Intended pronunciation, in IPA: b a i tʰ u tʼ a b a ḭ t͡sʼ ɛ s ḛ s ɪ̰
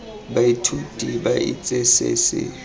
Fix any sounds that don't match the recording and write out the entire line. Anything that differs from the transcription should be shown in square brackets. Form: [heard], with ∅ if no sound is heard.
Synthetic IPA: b a i tʰ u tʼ [i] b a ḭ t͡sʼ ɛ s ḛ s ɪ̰